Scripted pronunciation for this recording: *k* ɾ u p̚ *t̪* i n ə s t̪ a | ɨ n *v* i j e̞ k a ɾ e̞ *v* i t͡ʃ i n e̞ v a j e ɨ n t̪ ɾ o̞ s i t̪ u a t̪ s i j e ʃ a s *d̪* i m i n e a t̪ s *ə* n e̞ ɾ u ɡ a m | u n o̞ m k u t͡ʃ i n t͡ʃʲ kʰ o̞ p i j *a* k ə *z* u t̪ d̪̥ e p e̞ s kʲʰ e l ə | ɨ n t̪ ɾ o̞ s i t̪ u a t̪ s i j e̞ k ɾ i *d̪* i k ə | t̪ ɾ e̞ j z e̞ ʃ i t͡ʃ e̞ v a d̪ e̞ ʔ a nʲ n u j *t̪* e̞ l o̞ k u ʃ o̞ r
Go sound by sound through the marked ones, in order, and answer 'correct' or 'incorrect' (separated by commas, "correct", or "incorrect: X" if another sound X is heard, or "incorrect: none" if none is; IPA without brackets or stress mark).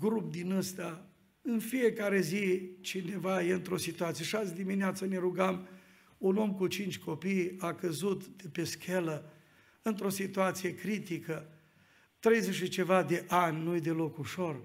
incorrect: ɡ, incorrect: d̪, incorrect: f, incorrect: z, correct, correct, correct, correct, incorrect: t̪, incorrect: d̪